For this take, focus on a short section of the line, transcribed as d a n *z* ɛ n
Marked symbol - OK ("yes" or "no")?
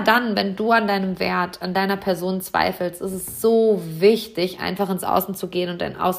no